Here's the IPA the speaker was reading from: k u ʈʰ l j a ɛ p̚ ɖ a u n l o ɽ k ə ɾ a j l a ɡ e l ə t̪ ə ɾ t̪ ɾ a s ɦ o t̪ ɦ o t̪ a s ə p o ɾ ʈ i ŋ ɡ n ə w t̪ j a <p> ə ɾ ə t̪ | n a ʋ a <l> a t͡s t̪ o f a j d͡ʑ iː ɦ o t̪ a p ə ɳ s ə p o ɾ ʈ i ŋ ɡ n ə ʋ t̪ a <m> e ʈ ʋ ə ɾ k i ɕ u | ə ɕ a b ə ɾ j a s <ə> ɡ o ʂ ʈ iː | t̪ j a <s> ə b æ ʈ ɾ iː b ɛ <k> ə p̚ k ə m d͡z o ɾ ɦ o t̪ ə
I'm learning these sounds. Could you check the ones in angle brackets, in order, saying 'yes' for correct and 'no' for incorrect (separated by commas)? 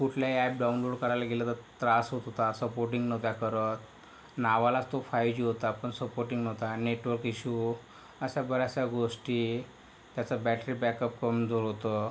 no, yes, no, no, no, yes